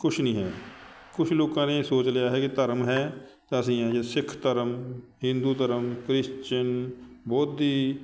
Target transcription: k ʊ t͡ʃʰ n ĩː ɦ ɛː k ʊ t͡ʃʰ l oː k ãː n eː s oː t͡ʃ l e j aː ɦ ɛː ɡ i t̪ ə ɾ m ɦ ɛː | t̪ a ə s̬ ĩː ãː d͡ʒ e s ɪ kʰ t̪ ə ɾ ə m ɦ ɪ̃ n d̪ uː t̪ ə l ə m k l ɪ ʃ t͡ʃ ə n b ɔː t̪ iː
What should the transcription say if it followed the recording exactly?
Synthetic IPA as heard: k ʊ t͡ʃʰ n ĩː ɦ ɛː k ʊ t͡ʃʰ l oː k ãː n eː s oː t͡ʃ l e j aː ɦ ɛː k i t̪ ə ɾ m ɦ ɛː | t̪ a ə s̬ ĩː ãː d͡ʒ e s ɪ kʰ t̪ ə ɾ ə m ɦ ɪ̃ n d̪ uː t̪ ə ɾ ə m k ɾ ɪ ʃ t͡ʃ ə n b ɔː t̪ iː